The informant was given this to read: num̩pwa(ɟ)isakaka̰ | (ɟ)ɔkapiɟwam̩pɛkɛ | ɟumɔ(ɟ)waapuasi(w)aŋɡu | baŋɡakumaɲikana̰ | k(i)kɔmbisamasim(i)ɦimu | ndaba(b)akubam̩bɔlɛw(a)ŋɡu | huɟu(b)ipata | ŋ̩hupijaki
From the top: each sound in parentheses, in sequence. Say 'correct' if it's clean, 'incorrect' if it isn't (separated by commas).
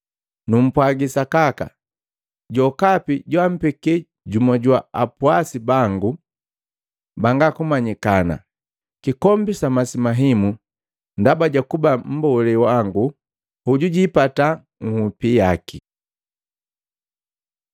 incorrect, correct, correct, incorrect, correct, incorrect, incorrect, correct, incorrect